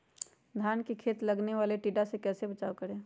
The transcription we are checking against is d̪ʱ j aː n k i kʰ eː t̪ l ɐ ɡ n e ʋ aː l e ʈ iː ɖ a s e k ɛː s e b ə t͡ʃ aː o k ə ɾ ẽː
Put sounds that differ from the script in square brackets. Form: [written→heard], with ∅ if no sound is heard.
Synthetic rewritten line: d̪ʱ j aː n k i kʰ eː t̪ l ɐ ɡ n e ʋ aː l e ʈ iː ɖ a s e k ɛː s e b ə t͡ʃ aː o k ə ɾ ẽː